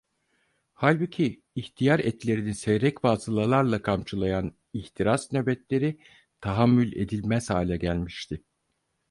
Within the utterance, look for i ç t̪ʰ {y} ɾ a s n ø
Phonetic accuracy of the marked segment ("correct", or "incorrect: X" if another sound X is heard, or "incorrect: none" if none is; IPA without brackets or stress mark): incorrect: i